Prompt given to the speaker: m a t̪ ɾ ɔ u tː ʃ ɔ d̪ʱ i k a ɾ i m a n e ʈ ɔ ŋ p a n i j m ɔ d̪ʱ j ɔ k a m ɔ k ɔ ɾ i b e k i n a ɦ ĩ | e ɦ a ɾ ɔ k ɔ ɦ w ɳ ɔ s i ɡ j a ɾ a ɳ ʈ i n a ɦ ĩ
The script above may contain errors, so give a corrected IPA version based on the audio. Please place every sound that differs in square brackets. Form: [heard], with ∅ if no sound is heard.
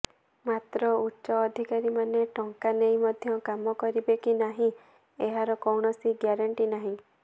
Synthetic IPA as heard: m a t̪ ɾ ɔ u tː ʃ [ɔː] d̪ʱ i k a ɾ i m a n e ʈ ɔ ŋ [k] a n [e] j m ɔ d̪ʱ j ɔ k a m ɔ k ɔ ɾ i b e k i n a ɦ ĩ | e ɦ a ɾ ɔ k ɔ [∅] w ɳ ɔ s i ɡ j a ɾ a ɳ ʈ i n a ɦ ĩ